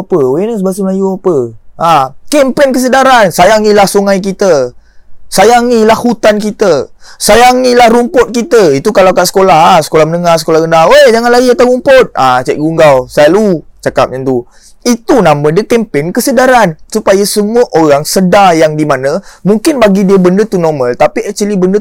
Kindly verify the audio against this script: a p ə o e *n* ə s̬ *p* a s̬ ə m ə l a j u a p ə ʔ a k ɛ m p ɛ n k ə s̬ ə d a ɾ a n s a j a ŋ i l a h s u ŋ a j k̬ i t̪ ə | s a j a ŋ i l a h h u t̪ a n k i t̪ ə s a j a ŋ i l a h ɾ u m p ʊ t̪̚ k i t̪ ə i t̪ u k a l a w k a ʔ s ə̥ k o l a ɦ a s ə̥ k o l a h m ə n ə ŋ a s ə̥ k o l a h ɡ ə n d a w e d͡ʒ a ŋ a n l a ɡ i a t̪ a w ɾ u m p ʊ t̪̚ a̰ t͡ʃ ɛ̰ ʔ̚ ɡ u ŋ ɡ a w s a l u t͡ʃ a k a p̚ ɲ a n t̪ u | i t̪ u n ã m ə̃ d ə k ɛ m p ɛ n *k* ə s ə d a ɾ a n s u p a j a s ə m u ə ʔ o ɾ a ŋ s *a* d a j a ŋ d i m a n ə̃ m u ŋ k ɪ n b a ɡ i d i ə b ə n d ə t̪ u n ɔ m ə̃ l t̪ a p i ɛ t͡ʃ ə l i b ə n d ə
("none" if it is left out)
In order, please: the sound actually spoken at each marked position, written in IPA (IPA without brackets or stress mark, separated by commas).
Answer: n, b, k, ə